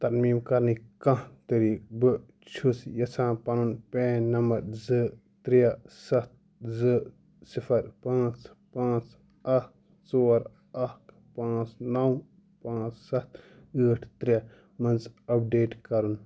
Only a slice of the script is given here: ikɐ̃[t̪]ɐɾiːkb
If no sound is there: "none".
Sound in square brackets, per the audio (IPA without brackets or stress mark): t̪